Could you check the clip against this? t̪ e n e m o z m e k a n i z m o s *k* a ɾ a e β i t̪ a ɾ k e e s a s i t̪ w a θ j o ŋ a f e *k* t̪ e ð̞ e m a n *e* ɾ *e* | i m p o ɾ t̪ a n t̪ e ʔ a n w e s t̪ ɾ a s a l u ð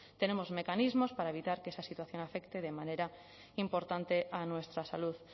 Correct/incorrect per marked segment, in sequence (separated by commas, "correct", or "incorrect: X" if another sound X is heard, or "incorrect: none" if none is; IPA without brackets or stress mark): incorrect: p, correct, correct, incorrect: a